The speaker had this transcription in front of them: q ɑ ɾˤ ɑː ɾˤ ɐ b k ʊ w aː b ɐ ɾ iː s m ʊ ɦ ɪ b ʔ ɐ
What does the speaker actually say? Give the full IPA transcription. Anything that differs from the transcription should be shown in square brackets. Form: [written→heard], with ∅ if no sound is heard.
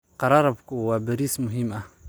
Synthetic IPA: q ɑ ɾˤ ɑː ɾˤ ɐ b k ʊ w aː b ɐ ɾ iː s m ʊ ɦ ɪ [b→m] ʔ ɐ

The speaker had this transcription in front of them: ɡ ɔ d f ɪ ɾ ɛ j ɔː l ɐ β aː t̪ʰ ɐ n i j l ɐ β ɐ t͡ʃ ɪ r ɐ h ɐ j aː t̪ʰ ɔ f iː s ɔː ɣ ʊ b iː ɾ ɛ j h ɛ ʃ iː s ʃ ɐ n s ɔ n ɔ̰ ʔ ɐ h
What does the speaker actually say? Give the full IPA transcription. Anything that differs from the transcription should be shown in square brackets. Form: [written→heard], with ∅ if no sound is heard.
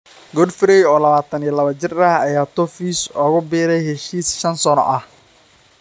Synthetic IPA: ɡ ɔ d f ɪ ɾ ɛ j ɔː l ɐ β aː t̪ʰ ɐ n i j l ɐ β ɐ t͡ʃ ɪ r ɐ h ɐ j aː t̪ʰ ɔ f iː s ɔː ɣ ʊ b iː ɾ ɛ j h ɛ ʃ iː s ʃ ɐ n s ɔ n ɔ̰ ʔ ɐ h

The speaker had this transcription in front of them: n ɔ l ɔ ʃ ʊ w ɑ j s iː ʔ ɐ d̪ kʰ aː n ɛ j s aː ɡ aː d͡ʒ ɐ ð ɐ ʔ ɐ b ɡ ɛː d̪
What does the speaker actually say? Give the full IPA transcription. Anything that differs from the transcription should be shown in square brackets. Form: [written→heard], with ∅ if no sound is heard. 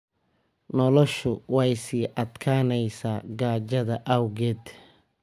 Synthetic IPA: n ɔ l ɔ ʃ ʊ w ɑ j s iː ʔ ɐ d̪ kʰ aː n ɛ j s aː ɡ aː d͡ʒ ɐ ð ɐ ʔ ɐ [b→w] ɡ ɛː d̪

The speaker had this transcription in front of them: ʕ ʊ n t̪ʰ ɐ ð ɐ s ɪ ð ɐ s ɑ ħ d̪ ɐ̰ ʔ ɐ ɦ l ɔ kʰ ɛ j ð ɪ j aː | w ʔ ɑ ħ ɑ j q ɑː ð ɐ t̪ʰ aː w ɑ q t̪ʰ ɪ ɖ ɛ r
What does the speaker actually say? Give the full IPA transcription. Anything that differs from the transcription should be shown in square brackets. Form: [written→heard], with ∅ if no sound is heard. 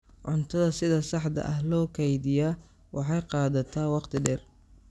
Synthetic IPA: ʕ ʊ n t̪ʰ ɐ ð ɐ s ɪ ð ɐ s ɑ ħ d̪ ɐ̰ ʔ ɐ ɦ l [ɔ→ɔː] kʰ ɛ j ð ɪ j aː | w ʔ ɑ ħ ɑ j q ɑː ð ɐ t̪ʰ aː w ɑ q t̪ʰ ɪ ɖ ɛ r

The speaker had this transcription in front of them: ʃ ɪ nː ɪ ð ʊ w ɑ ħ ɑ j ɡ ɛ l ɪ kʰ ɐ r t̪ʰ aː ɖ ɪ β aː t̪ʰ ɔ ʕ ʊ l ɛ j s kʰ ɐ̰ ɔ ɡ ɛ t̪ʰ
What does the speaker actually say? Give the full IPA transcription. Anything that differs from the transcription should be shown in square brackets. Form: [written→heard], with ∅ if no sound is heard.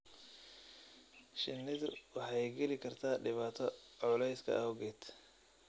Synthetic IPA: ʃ ɪ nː ɪ ð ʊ w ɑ ħ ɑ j ɡ ɛ l ɪ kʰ ɐ r t̪ʰ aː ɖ ɪ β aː t̪ʰ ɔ ʕ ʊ l ɛ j s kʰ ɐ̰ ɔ ɡ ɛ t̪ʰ

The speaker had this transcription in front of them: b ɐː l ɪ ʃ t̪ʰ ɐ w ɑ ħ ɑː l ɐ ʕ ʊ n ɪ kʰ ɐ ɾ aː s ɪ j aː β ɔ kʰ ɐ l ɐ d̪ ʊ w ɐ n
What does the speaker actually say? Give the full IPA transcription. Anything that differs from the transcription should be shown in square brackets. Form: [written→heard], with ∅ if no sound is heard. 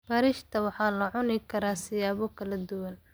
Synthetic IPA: b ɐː [l→ɾ] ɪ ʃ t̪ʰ ɐ w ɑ ħ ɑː l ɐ ʕ ʊ n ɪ kʰ ɐ ɾ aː s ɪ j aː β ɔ kʰ ɐ l ɐ d̪ ʊ w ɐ n

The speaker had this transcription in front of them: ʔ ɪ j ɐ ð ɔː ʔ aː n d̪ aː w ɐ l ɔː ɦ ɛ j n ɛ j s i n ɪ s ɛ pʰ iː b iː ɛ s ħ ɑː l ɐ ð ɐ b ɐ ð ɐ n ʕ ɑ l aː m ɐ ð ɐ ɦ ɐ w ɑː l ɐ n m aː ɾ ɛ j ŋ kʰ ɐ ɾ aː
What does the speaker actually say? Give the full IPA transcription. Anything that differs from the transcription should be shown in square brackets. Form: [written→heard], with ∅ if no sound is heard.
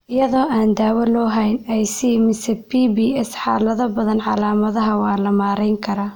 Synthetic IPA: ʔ ɪ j ɐ ð ɔː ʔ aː n d̪ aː w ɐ l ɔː ɦ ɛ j n ɛ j s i [n→m] ɪ s ɛ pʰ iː b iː ɛ s ħ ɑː l ɐ ð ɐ b ɐ ð ɐ n ʕ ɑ l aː m ɐ ð ɐ ɦ ɐ w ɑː l ɐ [n→∅] m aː ɾ ɛ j ŋ kʰ ɐ ɾ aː

